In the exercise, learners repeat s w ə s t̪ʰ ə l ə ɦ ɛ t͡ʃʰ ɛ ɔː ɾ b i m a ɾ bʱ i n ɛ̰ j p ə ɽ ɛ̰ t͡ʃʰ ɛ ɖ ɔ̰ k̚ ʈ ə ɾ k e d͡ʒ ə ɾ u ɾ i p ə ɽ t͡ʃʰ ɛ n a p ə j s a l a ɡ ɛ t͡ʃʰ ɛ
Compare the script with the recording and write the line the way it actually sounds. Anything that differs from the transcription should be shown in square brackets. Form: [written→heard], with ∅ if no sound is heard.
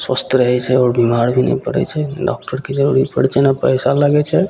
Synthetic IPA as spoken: s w ə s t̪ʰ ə [l→ɾ] ə ɦ ɛ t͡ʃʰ ɛ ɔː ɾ b i m a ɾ bʱ i n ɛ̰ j p ə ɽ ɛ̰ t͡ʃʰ ɛ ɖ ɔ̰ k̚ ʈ ə ɾ k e d͡ʒ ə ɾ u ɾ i p ə ɽ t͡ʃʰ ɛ n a p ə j s a l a ɡ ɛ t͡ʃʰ ɛ